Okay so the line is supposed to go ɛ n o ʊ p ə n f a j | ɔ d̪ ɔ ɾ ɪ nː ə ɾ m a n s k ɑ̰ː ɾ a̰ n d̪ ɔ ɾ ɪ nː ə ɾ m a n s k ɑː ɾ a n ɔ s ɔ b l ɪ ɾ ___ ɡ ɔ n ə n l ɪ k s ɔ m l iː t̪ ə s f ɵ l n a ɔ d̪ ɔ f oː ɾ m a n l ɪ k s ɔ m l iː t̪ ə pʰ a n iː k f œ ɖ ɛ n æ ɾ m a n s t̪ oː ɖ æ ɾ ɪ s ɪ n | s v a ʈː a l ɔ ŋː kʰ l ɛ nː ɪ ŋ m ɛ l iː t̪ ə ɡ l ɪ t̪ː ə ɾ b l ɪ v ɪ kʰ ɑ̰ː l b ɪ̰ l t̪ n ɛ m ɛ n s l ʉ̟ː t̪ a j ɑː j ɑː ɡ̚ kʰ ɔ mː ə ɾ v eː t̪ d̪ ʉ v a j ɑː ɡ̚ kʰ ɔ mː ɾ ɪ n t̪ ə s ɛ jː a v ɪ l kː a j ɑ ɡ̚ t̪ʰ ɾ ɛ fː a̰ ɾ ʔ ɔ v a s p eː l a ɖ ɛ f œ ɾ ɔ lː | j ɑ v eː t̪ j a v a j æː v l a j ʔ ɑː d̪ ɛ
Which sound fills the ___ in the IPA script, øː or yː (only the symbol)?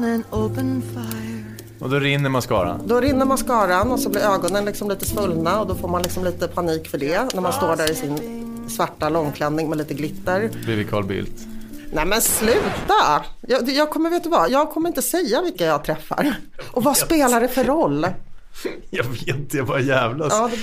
øː